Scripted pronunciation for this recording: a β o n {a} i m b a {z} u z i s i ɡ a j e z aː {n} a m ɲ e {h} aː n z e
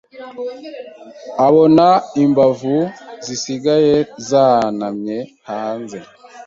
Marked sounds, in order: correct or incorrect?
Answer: correct, incorrect: v, correct, correct

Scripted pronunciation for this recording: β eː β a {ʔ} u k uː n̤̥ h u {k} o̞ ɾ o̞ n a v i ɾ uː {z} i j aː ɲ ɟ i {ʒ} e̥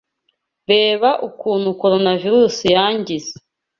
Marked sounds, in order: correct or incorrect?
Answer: correct, correct, incorrect: s, incorrect: z

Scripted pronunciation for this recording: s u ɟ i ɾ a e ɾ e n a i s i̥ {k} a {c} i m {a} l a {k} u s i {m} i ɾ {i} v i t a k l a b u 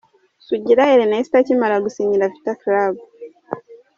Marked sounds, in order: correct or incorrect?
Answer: incorrect: t, correct, correct, incorrect: ɡ, incorrect: ɲ, incorrect: a

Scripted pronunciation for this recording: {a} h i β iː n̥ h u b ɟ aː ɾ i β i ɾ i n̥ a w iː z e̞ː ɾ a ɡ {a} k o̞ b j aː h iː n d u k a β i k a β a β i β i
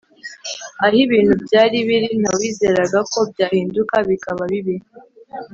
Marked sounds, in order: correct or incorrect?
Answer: correct, correct

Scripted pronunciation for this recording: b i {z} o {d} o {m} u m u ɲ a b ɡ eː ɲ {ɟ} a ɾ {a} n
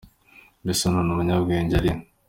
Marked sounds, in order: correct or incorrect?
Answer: incorrect: s, incorrect: n, incorrect: n, correct, incorrect: i

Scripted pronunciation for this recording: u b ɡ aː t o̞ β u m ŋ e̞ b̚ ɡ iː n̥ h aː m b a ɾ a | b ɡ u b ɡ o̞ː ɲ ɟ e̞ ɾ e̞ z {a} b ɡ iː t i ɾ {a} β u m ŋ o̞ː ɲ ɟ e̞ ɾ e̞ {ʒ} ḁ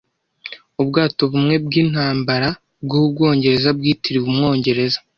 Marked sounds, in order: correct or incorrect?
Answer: correct, incorrect: i, incorrect: z

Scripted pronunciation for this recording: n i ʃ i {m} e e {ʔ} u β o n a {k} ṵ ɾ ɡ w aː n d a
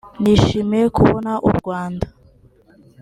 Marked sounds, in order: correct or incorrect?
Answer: correct, incorrect: k, incorrect: ʔ

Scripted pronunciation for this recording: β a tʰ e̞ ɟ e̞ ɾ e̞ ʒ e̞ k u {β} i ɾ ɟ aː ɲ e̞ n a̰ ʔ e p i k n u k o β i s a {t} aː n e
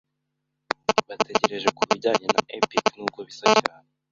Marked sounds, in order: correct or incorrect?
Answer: correct, incorrect: c

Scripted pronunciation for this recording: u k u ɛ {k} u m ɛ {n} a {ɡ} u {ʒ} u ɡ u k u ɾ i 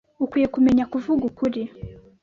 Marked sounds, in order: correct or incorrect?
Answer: correct, incorrect: ɲ, incorrect: k, incorrect: v

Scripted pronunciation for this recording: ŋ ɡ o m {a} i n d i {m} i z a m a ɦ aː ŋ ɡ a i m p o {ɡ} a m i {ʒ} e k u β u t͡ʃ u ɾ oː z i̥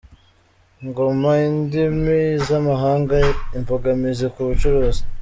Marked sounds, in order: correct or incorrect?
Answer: correct, correct, correct, incorrect: z

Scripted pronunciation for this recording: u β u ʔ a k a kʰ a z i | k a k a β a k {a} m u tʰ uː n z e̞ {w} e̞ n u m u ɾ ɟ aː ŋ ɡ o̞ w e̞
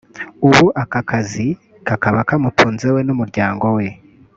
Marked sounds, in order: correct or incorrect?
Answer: correct, correct

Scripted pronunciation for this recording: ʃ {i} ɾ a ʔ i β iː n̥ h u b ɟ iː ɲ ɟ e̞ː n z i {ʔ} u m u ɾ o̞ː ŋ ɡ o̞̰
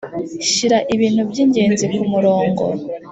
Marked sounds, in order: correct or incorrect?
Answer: correct, incorrect: k

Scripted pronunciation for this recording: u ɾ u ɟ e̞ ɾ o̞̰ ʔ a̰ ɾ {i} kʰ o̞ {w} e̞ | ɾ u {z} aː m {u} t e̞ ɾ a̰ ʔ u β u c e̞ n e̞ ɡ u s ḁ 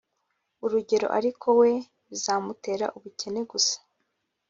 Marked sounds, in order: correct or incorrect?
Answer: correct, correct, correct, correct

